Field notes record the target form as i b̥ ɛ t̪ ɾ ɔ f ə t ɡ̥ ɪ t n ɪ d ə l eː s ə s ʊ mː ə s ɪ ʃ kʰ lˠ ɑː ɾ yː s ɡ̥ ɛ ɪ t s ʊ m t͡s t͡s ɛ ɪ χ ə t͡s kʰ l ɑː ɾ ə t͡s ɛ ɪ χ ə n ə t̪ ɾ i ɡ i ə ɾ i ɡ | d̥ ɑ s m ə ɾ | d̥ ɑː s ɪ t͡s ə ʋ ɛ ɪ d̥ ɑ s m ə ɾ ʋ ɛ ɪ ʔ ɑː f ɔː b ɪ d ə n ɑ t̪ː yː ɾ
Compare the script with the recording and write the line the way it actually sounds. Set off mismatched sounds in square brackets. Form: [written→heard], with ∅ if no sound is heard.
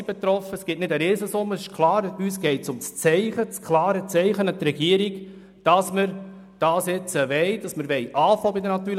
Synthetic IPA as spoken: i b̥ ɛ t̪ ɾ ɔ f ə [t→s] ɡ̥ ɪ t n ɪ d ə [l→ɾ] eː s ə s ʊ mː ə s ɪ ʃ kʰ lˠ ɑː ɾ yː s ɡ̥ ɛ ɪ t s ʊ m t͡s t͡s ɛ ɪ χ ə t͡s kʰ l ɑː ɾ ə t͡s ɛ ɪ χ ə n ə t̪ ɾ [i→ɛ] ɡ i ə ɾ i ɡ | d̥ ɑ s m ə ɾ | d̥ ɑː s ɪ t͡s ə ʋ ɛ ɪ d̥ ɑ s m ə ɾ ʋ ɛ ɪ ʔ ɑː f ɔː b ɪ d ə n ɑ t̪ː yː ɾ